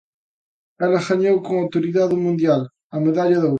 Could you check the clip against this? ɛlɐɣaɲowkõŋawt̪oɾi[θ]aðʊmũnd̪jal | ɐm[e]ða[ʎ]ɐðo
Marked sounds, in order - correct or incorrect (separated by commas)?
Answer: incorrect, correct, correct